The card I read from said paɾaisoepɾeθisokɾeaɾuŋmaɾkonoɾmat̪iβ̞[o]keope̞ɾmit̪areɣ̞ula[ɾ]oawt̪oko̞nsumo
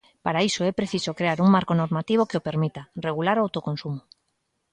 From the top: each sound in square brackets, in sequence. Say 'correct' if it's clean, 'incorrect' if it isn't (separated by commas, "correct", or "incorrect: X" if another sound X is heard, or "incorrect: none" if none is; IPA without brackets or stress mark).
correct, correct